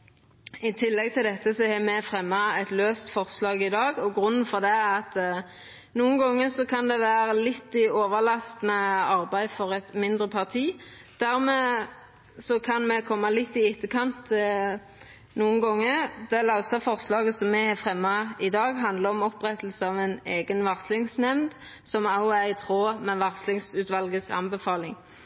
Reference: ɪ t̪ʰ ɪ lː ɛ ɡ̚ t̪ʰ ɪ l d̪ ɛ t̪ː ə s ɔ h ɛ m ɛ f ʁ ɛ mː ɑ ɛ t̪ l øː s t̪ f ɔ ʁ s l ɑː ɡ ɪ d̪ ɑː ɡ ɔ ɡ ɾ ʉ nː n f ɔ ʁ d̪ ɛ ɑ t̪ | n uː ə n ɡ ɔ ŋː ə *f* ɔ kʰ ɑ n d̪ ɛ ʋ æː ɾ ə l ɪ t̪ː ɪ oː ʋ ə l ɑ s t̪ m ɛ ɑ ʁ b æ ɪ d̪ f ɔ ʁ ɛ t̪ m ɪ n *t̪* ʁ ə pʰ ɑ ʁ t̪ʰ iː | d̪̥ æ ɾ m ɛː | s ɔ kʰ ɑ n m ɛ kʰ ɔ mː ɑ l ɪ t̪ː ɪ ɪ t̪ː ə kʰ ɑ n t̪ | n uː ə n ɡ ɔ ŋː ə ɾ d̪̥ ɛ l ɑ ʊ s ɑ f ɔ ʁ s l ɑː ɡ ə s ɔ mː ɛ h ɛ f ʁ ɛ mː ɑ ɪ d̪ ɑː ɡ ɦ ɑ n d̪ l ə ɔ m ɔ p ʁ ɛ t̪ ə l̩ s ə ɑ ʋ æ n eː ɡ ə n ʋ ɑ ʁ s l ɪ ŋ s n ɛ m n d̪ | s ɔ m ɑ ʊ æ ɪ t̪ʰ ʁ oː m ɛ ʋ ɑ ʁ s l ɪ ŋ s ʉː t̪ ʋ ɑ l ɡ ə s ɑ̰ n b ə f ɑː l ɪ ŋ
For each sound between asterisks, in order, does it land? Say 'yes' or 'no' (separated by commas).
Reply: no, no